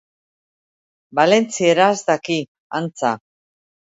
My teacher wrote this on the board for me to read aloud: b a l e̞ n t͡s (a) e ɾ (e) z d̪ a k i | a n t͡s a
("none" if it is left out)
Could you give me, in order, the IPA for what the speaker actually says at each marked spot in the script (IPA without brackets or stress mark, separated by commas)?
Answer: i, a